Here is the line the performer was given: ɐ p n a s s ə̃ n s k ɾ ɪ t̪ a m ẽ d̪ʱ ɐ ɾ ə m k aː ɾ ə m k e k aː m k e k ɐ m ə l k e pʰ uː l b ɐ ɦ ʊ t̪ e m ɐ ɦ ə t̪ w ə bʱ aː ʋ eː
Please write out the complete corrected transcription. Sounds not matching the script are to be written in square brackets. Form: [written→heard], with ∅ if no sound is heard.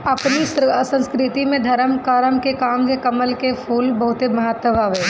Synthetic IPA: ɐ p n [a→i] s s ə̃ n s k ɾ ɪ t̪ [a→i] m ẽ d̪ʱ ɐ ɾ ə m k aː ɾ ə m k e k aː m k e k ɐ m ə l k e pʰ uː l b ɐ ɦ ʊ t̪ e m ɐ ɦ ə t̪ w ə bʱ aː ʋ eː